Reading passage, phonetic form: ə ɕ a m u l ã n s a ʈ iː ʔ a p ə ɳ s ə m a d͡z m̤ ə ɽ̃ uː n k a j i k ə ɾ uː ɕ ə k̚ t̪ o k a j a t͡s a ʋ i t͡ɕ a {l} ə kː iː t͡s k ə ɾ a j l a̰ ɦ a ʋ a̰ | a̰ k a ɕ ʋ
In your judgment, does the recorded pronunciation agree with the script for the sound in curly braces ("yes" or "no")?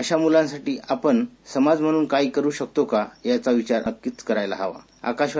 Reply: no